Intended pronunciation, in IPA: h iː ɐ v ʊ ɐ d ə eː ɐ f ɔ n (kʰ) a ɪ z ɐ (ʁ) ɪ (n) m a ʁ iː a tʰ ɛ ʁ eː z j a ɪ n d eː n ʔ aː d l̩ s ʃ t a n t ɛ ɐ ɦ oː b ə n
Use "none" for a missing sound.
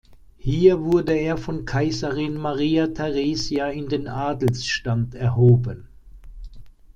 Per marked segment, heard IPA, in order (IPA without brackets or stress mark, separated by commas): kʰ, ʁ, n